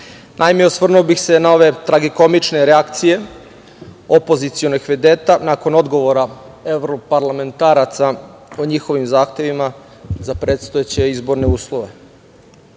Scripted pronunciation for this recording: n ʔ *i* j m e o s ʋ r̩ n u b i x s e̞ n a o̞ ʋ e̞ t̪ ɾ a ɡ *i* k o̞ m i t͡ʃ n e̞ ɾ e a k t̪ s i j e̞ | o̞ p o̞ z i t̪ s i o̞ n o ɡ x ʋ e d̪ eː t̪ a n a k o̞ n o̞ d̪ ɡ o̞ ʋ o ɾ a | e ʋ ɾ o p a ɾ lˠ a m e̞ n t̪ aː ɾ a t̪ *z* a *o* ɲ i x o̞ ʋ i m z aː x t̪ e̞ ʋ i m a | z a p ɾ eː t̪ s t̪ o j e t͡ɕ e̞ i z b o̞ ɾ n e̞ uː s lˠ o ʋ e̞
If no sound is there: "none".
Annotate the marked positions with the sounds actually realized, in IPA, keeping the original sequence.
a, i, s, o

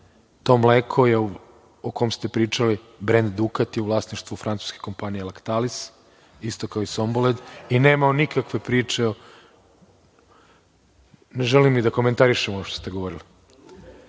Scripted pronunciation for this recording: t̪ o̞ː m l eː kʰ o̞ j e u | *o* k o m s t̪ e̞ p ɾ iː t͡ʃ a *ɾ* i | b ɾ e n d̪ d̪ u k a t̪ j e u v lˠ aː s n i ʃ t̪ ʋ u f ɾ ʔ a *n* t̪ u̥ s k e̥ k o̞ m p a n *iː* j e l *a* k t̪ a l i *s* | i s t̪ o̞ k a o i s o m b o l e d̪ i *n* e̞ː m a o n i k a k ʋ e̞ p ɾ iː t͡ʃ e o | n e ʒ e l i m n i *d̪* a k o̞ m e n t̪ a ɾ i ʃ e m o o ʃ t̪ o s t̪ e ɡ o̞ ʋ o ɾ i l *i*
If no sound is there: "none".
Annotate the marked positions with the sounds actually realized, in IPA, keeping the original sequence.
o, l, n, i, a, s, n, d̪, i

